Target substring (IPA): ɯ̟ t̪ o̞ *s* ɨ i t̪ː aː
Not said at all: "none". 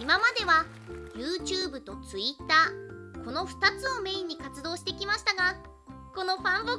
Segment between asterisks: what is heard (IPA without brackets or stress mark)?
t͡s